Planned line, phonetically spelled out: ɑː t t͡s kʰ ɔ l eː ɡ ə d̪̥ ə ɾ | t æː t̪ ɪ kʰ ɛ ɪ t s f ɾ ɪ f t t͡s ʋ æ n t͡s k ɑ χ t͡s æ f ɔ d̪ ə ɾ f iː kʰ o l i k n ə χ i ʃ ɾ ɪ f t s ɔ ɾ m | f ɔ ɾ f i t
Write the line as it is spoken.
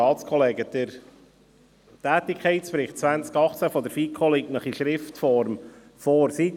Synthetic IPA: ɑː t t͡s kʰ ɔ l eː ɡ ə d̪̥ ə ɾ | t æː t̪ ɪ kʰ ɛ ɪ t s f ɾ ɪ χ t t͡s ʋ æ n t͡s k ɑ χ t͡s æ f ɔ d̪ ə ɾ f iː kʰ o l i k n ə χ i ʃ ɾ ɪ f t f ɔ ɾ m | f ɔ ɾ s i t